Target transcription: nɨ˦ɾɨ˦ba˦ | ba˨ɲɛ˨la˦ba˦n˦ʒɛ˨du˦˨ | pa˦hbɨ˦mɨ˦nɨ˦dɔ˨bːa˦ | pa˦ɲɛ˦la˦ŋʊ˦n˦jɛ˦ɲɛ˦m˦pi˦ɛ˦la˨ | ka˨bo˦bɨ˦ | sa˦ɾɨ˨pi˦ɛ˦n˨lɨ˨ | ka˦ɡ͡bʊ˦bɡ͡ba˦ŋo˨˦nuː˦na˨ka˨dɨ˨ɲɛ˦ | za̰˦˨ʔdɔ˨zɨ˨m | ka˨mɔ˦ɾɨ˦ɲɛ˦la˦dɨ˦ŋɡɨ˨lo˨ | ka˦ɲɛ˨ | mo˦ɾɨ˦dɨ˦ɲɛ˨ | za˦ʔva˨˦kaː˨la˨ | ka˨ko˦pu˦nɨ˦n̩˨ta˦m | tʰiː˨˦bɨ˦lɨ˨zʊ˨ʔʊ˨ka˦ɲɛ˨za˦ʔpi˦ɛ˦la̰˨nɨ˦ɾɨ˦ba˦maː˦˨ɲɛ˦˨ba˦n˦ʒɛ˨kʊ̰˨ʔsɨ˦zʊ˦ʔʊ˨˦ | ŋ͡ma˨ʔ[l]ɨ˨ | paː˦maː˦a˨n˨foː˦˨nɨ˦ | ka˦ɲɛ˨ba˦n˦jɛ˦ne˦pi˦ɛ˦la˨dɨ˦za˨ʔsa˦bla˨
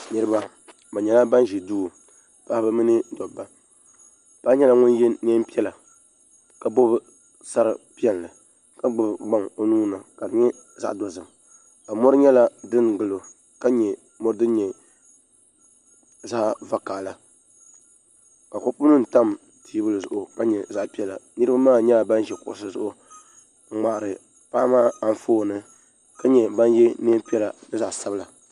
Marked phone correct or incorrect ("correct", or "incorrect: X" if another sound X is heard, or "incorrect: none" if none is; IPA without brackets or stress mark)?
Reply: incorrect: ɾ